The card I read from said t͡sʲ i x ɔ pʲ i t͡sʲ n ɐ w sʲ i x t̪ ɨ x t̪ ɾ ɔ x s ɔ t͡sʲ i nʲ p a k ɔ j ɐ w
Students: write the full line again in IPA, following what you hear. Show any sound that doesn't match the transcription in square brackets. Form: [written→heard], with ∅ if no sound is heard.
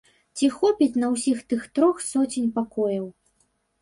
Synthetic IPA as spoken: t͡sʲ i x ɔ pʲ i t͡sʲ n ɐ w sʲ i x t̪ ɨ x t̪ ɾ ɔ x s ɔ t͡sʲ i nʲ p a k ɔ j ɐ w